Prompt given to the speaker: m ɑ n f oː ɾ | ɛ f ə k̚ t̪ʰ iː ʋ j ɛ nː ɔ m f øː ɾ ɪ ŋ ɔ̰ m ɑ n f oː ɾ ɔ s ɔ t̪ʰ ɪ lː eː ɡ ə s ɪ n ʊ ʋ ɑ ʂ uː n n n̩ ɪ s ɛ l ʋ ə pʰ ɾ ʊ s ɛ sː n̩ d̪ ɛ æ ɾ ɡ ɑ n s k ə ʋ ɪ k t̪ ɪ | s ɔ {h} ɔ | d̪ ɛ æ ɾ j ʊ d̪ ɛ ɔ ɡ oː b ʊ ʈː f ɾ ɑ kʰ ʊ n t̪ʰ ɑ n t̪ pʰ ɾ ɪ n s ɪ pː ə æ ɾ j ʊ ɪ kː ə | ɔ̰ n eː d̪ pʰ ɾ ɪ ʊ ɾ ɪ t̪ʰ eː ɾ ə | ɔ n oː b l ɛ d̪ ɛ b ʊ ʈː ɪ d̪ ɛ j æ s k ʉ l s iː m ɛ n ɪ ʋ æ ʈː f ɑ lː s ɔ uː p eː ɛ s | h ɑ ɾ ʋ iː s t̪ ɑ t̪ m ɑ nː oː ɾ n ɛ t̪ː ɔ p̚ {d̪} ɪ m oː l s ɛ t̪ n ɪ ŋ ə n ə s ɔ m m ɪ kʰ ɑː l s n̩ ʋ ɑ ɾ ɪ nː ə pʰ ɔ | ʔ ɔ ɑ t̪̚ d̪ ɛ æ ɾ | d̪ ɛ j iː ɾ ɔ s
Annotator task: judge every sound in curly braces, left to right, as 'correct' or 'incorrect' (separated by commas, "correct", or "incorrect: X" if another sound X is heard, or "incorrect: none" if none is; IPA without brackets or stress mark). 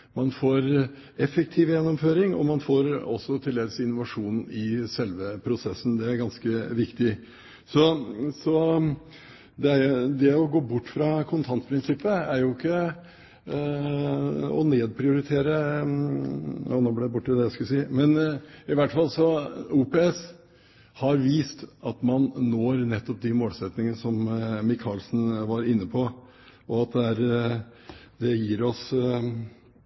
incorrect: s, correct